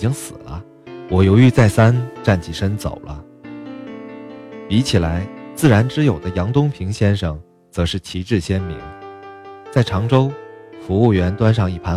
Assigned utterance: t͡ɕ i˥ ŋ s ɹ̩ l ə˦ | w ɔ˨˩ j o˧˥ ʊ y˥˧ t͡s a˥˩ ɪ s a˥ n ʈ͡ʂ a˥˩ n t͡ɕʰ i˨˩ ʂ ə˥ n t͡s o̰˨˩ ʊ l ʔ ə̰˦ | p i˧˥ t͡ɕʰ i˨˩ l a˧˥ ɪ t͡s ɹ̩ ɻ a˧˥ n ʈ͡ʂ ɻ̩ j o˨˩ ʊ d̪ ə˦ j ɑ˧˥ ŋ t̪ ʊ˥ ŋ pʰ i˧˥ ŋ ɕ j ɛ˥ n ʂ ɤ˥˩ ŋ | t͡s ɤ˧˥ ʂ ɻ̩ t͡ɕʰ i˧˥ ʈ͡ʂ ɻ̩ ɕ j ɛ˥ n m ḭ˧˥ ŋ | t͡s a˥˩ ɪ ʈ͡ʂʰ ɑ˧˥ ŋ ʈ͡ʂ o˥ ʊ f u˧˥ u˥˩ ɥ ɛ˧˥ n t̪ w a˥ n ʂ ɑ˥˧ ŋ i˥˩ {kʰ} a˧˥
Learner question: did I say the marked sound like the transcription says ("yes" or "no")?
no